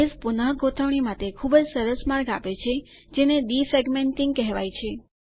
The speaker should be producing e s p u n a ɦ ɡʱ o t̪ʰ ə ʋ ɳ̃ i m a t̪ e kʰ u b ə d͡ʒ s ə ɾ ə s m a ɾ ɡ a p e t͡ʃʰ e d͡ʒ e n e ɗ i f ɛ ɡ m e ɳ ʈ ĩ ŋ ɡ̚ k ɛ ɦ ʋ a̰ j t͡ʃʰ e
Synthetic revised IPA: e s p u n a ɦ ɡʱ o t̪ʰ ə ʋ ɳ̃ i m a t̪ e kʰ u b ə d͡ʒ s ə ɾ ə s m a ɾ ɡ a p e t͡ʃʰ e d͡ʒ e n e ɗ i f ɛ ɡ m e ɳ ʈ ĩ ŋ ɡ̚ k ɛ ɦ ʋ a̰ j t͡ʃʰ e